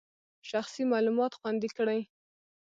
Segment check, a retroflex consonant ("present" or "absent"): present